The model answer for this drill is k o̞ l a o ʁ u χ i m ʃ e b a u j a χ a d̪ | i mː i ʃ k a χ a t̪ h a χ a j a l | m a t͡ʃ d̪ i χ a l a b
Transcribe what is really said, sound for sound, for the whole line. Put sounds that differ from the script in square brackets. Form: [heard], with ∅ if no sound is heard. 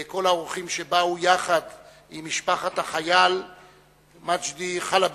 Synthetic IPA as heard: k o̞ l a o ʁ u χ i m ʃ e b a u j a χ a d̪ | i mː i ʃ [p] a χ a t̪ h a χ a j a l | m a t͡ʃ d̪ i χ a l a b